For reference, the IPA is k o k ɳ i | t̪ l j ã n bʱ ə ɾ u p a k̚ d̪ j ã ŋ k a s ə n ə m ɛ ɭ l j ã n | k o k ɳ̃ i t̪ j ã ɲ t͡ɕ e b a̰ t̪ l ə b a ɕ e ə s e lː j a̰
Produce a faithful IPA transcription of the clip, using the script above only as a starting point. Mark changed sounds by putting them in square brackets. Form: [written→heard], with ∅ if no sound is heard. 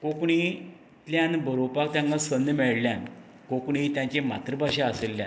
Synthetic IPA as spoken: k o k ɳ i | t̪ l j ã n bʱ ə ɾ [u→o] p a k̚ [d̪→t̪] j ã ŋ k a s ə n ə m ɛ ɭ l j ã n | k o k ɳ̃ i t̪ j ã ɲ t͡ɕ e [b→m] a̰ t̪ [l→ɾ] ə b a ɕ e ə s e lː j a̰